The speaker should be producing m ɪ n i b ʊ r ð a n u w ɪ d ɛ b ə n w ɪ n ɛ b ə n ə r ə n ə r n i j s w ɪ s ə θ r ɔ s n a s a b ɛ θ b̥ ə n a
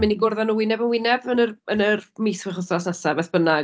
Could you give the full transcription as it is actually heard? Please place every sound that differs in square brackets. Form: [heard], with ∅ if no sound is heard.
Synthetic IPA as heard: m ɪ n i [ɡ] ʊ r ð a n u w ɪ [n] ɛ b ə n w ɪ n ɛ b ə n ə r ə n ə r [m] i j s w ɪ [χ] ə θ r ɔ s n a s a b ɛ θ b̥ ə n a